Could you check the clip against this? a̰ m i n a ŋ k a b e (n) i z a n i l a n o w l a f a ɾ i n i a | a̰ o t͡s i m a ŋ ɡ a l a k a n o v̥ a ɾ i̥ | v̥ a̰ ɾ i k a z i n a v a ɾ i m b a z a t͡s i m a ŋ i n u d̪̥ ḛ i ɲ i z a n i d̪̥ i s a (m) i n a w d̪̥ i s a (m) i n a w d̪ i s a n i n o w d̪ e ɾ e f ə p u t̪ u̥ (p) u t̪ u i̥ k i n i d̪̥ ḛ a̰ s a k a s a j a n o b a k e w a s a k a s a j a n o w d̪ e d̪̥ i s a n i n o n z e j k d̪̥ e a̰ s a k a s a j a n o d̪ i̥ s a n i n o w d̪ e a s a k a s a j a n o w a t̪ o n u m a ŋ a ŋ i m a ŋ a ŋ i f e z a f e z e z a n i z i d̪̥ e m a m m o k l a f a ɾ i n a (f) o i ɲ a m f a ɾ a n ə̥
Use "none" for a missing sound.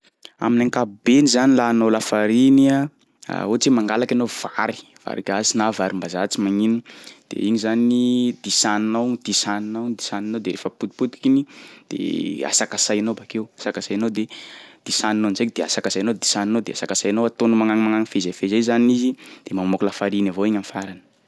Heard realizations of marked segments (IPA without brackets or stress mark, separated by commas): n, n, n, p, v